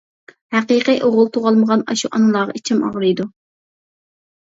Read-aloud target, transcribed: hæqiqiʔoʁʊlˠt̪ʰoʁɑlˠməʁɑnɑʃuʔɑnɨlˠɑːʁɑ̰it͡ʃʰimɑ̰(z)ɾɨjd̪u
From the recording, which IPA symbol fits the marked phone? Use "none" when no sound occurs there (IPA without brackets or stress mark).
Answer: ʁ